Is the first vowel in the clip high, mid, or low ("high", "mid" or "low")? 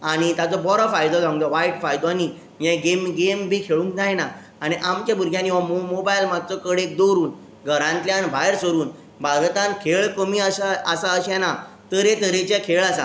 low